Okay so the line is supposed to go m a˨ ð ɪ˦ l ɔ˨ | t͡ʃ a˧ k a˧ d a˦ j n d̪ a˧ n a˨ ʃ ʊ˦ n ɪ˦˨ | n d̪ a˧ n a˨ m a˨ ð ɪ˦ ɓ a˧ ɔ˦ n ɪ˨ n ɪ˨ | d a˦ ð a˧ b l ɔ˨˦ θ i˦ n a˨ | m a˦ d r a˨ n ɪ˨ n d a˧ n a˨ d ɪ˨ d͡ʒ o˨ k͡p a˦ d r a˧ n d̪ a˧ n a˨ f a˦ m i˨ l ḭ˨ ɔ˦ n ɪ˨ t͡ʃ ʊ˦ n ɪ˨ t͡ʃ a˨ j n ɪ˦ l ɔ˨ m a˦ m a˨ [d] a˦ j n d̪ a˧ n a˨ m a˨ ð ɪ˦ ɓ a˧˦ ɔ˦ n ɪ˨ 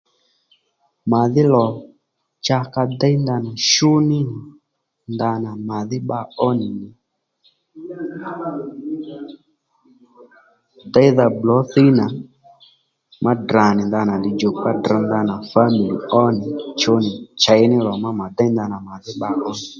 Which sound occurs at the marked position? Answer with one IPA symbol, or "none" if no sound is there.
d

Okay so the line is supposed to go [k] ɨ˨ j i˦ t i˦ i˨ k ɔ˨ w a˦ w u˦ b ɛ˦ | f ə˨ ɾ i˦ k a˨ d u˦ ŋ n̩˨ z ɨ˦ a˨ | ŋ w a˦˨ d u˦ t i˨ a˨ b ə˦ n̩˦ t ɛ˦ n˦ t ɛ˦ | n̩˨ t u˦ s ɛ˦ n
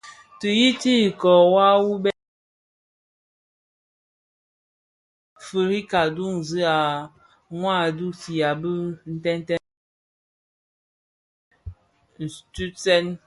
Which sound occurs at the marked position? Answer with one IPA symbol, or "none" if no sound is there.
t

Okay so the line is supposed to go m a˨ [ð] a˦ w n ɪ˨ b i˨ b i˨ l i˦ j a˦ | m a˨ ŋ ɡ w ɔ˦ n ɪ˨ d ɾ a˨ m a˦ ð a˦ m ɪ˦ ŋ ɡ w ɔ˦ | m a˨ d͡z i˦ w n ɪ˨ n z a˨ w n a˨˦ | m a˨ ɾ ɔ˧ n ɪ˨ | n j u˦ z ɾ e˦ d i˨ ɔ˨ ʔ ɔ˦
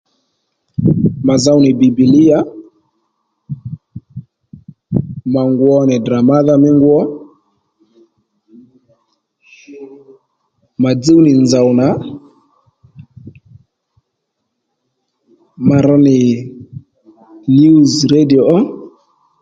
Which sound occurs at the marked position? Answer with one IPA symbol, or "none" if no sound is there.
z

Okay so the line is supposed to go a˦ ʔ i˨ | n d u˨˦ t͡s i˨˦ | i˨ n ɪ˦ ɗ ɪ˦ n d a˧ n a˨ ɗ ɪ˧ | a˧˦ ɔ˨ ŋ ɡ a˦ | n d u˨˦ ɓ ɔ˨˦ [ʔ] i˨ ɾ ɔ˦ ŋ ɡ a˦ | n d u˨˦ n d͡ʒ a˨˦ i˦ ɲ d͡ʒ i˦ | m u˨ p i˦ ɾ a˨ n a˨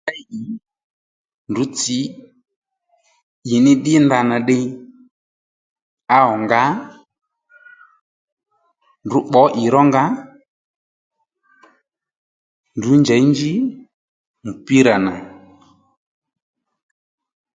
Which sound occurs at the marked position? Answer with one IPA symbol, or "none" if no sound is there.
ʔ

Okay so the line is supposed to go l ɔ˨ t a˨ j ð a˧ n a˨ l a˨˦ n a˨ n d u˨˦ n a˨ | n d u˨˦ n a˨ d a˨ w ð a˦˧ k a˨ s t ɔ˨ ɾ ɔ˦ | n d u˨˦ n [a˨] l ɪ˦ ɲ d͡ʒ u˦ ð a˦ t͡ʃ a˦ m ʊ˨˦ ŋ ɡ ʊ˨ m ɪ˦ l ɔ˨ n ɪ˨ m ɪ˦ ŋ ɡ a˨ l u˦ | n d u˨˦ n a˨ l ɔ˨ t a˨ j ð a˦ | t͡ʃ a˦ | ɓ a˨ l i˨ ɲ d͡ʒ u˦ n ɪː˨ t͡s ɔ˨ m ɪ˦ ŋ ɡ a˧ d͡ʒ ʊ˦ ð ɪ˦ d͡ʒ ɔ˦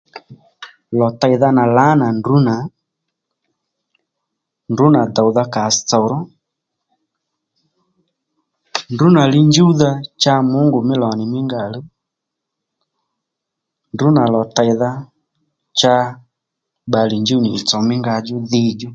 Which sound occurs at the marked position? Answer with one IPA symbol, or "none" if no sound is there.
a˨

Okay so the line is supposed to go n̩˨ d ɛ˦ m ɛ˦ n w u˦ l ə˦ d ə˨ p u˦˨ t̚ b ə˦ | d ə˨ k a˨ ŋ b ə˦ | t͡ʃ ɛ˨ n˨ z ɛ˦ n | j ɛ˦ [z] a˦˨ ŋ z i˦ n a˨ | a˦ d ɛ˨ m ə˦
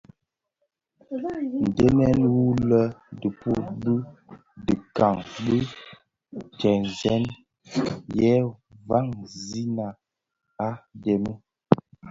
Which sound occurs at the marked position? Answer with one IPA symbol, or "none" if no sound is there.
v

